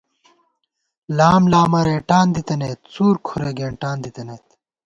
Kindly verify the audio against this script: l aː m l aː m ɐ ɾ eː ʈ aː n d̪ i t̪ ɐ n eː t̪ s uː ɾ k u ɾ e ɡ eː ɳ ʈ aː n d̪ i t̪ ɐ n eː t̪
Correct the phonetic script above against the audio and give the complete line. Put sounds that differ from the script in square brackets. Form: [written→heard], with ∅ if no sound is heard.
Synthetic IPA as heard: l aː m l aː m ɐ ɾ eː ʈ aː n d̪ i t̪ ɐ n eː t̪ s uː ɾ [k→kʰ] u ɾ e ɡ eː ɳ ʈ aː n d̪ i t̪ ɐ n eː t̪